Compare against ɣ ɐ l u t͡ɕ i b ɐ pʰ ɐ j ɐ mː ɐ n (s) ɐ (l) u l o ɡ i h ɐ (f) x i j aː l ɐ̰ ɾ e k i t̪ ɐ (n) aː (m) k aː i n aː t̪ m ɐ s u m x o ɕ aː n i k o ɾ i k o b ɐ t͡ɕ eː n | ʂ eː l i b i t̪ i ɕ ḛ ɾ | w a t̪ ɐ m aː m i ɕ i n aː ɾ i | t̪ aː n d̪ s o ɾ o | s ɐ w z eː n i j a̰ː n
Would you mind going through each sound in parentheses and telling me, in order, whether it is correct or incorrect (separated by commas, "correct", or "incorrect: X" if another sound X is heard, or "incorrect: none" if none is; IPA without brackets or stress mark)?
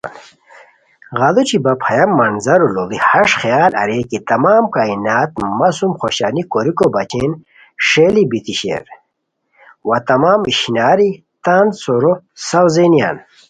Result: incorrect: z, incorrect: ɾ, incorrect: ʂ, incorrect: m, correct